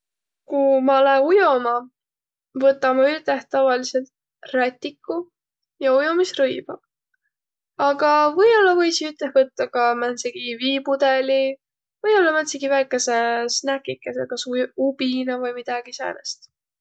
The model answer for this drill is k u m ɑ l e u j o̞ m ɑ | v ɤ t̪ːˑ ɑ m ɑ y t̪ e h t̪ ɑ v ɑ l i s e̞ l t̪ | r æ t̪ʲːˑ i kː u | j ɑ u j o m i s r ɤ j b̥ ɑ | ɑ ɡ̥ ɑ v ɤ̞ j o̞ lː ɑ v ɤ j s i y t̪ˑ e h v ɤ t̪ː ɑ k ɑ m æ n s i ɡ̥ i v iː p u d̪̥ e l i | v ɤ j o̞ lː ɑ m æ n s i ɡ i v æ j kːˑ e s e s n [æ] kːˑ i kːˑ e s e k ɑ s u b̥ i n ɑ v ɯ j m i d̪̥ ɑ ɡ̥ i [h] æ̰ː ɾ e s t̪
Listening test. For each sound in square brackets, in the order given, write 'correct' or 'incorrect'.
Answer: correct, incorrect: s

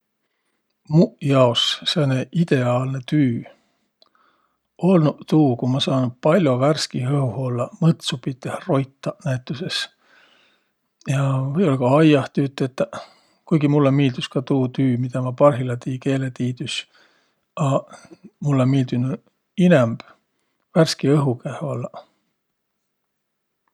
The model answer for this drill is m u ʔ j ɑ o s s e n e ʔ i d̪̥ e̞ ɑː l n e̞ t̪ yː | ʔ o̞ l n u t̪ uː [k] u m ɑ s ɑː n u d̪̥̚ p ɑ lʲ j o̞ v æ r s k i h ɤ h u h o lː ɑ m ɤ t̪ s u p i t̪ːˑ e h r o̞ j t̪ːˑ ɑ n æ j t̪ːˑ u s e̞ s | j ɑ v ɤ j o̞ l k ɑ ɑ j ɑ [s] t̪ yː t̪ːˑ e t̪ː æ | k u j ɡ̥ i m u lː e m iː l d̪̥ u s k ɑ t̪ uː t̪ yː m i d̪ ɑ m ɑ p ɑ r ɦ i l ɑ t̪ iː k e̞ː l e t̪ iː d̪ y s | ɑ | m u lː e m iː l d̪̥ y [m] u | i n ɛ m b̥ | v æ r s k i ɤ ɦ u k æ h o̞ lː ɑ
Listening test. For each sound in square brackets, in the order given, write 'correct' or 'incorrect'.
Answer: correct, incorrect: h, incorrect: n

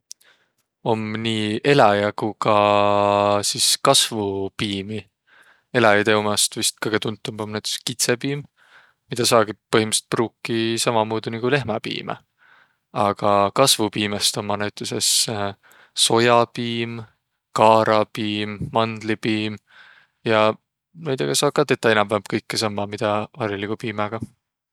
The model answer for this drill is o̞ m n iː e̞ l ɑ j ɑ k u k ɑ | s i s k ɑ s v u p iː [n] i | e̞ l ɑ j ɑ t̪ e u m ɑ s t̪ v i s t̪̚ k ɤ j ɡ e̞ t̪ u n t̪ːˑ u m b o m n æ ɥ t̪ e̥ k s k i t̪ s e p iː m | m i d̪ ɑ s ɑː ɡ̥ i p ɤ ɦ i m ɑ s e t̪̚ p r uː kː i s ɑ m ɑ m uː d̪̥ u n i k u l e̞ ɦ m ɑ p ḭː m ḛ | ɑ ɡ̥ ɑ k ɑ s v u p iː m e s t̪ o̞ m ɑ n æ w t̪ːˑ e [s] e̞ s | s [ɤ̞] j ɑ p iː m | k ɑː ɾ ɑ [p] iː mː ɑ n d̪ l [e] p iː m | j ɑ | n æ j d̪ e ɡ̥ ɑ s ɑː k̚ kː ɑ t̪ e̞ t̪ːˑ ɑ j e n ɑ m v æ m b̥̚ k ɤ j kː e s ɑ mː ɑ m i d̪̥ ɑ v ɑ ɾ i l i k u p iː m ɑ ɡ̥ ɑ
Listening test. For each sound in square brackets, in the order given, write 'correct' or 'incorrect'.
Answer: incorrect: m, correct, incorrect: o̞, correct, incorrect: i

